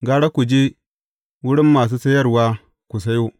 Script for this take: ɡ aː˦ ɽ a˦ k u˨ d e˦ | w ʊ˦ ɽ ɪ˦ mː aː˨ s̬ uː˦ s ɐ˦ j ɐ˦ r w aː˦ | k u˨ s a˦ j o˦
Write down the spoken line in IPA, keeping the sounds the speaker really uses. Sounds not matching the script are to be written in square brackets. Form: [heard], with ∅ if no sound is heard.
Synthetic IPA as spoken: ɡ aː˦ ɽ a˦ k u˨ [d͡ʒ] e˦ | w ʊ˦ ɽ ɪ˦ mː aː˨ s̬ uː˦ s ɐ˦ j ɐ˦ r w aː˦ | k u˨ s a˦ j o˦